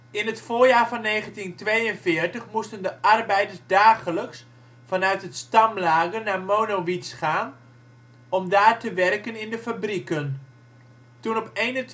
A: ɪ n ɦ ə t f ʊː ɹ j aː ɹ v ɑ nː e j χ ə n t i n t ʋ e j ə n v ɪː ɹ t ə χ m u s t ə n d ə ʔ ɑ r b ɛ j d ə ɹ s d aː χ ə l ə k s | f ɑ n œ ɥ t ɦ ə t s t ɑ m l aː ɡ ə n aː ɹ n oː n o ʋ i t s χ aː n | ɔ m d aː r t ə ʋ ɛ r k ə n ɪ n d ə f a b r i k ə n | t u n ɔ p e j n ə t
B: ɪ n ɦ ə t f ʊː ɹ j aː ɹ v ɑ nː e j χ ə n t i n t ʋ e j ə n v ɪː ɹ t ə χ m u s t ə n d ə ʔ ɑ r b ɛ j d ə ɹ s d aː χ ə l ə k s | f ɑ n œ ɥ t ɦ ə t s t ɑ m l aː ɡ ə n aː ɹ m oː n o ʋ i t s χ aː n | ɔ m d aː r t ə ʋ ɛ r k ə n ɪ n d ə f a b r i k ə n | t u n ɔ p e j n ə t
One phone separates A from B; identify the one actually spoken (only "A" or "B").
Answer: B